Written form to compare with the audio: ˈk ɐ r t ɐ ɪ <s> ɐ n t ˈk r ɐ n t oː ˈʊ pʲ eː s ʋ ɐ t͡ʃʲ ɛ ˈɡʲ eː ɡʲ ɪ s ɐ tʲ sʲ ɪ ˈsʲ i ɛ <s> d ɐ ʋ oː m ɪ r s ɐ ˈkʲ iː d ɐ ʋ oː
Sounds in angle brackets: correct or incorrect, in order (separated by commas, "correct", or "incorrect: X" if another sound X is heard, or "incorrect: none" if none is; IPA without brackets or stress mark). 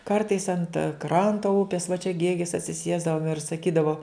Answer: correct, incorrect: z